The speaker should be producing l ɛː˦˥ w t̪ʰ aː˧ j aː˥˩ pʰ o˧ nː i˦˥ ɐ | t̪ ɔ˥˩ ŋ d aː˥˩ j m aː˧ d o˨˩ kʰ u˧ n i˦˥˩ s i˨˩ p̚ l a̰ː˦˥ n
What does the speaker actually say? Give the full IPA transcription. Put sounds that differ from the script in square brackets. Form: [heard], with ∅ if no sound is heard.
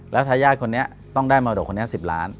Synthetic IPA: l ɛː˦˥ w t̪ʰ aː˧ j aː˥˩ [kʰ] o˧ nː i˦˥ ɐ | t̪ ɔ˥˩ ŋ d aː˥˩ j m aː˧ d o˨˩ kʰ [o˧] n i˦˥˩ s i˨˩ p̚ l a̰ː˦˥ n

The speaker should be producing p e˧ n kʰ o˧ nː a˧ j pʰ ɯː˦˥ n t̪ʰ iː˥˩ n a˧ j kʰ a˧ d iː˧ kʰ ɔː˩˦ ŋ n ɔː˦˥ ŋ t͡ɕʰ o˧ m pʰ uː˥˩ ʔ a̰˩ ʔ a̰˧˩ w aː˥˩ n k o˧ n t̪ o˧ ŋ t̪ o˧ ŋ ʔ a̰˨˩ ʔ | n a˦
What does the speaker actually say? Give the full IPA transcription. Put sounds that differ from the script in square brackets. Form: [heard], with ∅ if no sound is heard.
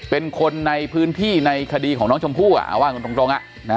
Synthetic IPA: p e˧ n kʰ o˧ nː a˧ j pʰ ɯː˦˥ n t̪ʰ iː˥˩ n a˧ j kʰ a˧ d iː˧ kʰ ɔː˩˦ ŋ n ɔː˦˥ ŋ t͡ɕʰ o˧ m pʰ uː˥˩ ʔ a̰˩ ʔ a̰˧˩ w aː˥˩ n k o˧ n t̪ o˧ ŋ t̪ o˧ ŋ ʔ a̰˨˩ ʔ | n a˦

